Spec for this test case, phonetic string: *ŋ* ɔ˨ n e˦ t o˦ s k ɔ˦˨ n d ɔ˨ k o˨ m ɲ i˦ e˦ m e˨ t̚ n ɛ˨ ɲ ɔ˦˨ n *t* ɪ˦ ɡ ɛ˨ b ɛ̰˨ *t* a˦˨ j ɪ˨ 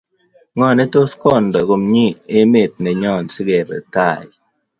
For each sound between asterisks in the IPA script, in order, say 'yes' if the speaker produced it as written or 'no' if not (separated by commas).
yes, no, yes